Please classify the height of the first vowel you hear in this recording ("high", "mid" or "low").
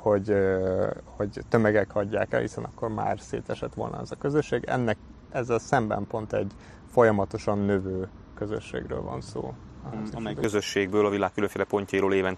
mid